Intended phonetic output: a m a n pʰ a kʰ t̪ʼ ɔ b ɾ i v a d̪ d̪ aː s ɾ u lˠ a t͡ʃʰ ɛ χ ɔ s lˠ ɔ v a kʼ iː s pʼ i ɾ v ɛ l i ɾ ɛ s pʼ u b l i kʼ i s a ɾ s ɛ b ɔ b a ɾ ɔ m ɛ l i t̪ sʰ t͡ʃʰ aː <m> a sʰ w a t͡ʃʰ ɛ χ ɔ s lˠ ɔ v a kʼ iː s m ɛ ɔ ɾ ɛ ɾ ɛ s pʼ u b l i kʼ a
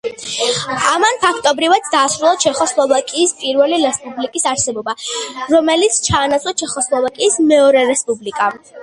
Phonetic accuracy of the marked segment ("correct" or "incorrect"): incorrect